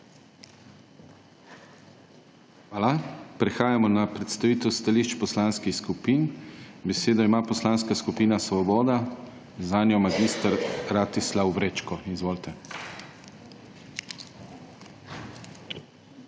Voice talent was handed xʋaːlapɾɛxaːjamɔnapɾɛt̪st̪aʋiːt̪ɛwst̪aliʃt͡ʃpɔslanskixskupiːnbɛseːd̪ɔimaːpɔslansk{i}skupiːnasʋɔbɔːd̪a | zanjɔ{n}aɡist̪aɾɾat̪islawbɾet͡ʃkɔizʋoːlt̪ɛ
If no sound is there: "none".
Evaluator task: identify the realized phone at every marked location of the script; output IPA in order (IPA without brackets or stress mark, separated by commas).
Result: a, m